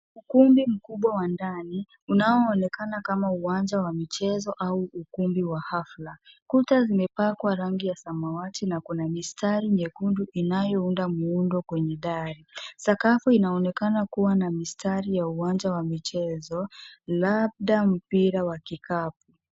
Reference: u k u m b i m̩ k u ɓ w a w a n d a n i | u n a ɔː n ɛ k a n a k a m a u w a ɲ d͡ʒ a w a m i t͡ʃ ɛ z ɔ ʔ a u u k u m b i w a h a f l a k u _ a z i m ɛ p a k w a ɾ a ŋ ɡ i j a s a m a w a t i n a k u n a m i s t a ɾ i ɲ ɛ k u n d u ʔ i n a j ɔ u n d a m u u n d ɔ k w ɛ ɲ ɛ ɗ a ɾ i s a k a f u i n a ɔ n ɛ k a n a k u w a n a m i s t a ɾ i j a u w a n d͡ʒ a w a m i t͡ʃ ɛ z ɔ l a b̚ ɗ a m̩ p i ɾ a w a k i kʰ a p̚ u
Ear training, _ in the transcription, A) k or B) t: B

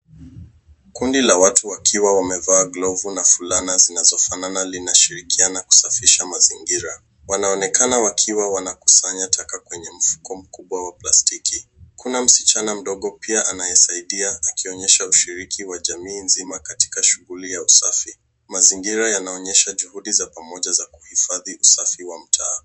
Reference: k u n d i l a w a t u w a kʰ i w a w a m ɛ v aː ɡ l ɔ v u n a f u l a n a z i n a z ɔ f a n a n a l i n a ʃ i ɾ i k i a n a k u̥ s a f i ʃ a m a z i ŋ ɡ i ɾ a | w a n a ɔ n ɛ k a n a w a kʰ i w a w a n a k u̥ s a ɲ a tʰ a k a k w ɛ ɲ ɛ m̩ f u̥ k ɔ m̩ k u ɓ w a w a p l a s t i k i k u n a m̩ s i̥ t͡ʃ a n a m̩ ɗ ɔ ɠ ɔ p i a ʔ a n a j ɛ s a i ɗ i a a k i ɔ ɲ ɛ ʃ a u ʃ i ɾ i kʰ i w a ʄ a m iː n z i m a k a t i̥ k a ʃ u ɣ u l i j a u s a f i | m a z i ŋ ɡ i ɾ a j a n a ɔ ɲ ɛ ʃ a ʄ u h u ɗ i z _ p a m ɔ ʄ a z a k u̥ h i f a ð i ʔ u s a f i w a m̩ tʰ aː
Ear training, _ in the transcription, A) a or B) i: A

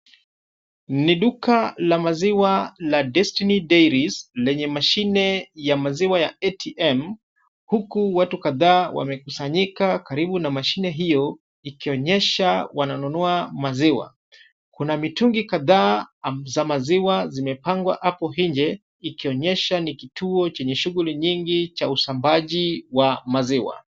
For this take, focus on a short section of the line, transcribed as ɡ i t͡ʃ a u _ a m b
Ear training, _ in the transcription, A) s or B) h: A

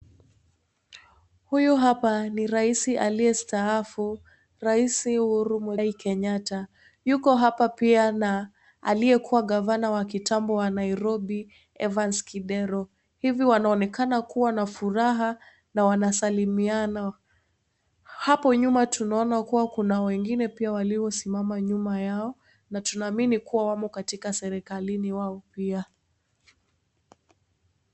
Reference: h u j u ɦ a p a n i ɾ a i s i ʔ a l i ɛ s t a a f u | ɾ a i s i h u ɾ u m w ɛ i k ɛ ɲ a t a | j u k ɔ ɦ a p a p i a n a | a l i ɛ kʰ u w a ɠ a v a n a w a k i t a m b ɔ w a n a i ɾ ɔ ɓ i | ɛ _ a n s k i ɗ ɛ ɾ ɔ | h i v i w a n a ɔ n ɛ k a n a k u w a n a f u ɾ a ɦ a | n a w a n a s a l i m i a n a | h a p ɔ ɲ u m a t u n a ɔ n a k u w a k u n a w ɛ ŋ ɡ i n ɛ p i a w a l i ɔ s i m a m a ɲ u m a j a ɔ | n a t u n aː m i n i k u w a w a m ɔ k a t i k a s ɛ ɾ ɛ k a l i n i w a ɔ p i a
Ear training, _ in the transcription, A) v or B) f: A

